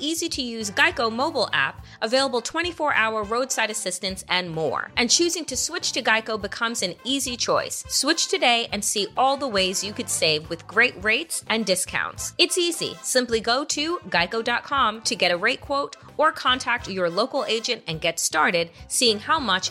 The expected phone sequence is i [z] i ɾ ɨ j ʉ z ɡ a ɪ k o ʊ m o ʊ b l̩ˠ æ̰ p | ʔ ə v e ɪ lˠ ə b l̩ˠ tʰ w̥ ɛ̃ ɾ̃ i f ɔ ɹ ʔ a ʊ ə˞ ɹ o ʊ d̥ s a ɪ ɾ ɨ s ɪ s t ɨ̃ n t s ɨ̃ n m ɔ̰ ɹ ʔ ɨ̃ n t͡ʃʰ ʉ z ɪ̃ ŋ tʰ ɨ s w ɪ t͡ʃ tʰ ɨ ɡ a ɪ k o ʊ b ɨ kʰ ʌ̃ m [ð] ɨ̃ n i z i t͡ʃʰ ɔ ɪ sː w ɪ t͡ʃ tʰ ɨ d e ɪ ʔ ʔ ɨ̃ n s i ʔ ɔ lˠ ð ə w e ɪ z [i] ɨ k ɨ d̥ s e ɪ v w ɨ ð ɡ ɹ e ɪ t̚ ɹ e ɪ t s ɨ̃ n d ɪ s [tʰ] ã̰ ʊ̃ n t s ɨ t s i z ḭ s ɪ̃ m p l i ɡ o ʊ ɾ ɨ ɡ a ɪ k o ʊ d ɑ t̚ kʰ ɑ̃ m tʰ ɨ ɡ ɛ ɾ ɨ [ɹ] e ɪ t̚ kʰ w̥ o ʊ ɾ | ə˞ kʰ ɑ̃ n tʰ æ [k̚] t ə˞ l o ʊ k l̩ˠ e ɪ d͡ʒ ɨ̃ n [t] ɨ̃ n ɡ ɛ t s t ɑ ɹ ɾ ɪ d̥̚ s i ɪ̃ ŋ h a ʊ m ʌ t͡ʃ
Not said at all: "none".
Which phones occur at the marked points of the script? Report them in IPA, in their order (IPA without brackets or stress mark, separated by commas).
z, z, j, kʰ, ɹ, k̚, t